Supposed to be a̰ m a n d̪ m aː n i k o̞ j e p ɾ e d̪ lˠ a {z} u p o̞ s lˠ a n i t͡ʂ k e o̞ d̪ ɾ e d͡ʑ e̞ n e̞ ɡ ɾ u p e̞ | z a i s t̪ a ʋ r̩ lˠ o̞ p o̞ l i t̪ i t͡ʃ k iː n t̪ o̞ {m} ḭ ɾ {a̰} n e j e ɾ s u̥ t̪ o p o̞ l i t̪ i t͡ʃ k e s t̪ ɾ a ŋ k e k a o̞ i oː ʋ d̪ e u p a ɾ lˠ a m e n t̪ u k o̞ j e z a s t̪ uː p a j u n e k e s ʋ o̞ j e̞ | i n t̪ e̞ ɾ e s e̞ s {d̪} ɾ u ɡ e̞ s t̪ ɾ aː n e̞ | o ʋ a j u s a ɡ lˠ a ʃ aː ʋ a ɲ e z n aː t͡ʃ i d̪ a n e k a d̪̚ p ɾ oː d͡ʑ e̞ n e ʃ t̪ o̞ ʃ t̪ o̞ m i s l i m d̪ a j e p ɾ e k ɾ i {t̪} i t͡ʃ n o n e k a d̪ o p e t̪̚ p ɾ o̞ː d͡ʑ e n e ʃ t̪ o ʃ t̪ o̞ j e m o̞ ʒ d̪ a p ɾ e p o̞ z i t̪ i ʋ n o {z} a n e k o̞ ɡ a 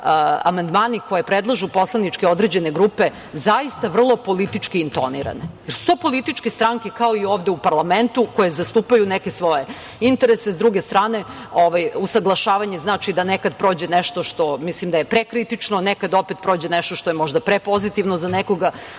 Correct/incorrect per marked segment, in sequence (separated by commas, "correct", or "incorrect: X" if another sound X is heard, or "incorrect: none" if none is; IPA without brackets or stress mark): incorrect: ʒ, incorrect: n, correct, correct, correct, correct